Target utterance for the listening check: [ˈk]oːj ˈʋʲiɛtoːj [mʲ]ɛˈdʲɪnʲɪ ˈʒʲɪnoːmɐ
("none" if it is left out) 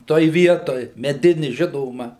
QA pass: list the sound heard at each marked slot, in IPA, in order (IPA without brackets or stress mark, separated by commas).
t, mʲ